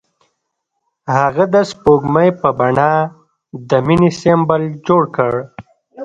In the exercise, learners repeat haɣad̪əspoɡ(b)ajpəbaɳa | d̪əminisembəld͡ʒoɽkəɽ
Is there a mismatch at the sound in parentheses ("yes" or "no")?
yes